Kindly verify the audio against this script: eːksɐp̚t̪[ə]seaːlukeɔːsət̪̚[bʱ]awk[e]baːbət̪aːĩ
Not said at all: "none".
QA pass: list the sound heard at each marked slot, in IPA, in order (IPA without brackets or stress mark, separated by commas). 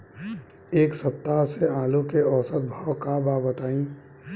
a, bʱ, a